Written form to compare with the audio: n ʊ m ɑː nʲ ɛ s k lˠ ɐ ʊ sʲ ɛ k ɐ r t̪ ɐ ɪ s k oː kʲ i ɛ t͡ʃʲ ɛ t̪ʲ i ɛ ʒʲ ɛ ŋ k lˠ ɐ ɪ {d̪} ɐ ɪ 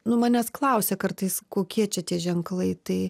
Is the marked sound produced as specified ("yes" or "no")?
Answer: no